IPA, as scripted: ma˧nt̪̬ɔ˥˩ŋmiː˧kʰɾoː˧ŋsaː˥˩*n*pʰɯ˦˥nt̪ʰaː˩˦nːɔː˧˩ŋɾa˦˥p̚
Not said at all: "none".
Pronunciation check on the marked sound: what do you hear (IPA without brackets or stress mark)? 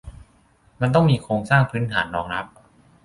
ŋ